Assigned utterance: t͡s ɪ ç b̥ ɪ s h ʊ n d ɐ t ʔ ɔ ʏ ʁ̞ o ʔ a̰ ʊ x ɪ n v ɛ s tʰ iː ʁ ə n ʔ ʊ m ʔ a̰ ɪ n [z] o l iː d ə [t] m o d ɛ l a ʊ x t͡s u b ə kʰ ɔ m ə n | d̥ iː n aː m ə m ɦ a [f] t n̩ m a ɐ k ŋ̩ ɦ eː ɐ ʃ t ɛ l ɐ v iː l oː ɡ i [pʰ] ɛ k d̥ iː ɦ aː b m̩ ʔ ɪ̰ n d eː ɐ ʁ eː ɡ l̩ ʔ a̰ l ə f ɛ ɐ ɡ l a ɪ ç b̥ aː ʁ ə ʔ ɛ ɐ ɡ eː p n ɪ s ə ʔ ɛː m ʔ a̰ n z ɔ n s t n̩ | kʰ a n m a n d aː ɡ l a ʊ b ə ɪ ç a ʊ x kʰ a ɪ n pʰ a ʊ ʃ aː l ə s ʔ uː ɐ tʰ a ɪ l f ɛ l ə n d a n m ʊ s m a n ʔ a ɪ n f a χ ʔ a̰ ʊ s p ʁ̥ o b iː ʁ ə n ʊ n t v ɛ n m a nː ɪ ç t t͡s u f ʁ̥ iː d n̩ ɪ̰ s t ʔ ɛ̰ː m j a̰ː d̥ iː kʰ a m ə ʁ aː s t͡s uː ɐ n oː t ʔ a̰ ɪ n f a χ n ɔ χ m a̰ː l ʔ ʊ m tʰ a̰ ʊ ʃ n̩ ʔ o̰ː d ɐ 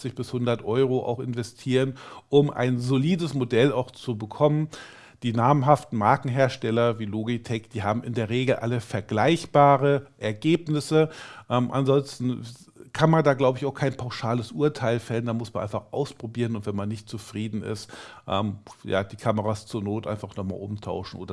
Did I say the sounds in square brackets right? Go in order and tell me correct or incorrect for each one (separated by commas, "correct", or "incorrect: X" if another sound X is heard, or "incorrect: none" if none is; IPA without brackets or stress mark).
correct, incorrect: s, correct, incorrect: tʰ